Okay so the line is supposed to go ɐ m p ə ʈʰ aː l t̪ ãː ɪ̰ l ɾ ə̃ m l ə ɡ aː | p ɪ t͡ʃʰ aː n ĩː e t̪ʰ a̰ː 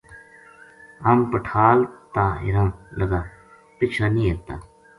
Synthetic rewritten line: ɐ m p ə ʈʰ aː l t̪ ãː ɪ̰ ɾ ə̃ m l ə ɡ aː | p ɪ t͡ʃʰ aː n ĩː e t̪ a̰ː